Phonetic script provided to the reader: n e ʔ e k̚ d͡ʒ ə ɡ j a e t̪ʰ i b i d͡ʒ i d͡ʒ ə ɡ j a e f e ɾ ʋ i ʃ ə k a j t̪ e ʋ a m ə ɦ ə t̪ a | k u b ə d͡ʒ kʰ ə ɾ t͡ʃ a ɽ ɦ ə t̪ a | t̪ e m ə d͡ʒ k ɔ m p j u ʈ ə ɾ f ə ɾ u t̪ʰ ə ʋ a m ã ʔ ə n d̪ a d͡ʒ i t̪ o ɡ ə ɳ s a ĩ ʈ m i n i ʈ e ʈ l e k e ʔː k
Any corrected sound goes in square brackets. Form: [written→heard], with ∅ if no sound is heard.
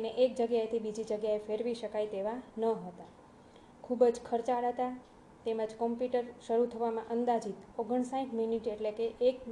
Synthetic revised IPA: n e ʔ e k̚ d͡ʒ ə ɡ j a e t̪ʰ i b i d͡ʒ i d͡ʒ ə ɡ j a e f e ɾ ʋ i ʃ ə k a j t̪ e ʋ a [m→n] ə ɦ ə t̪ a | [k→kʰ] u b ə d͡ʒ kʰ ə ɾ t͡ʃ a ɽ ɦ ə t̪ a | t̪ e m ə d͡ʒ k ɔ m p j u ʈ ə ɾ [f→ʃ] ə ɾ u t̪ʰ ə ʋ a m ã ʔ ə n d̪ a d͡ʒ i t̪ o ɡ ə ɳ s a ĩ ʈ m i n i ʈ e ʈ l e k e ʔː k